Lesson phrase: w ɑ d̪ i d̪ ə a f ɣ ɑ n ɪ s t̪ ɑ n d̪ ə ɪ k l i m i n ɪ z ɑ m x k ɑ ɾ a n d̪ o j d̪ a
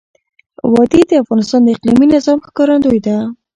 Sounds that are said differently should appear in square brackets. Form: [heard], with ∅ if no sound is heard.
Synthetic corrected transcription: w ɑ d̪ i d̪ ə a f ɣ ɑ n ɪ s t̪ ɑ n d̪ ə ɪ [q] l i m i n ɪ z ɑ m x k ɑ ɾ a n d̪ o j d̪ a